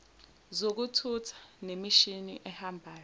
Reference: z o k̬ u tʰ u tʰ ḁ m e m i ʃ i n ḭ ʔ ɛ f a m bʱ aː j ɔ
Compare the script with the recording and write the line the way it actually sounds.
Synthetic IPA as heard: z o k̬ u tʰ u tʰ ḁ n e m i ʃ i n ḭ ʔ ɛ h a m bʱ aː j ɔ